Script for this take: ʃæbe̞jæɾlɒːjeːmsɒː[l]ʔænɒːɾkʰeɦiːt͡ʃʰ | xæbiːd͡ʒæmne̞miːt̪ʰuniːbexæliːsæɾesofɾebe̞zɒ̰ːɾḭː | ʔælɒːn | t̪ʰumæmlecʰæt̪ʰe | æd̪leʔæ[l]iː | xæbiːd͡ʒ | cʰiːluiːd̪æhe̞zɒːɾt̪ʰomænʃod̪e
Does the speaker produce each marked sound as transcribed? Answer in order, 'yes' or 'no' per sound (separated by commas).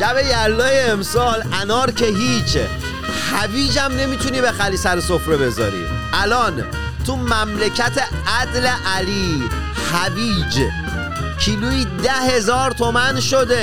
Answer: yes, yes